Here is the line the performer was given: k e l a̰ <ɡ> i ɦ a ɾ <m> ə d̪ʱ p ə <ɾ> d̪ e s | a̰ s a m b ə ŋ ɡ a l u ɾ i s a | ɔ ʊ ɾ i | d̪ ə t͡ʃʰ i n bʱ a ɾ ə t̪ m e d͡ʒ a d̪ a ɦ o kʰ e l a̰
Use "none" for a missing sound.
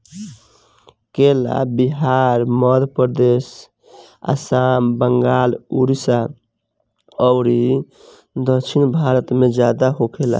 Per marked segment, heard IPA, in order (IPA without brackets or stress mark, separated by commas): b, m, ɾ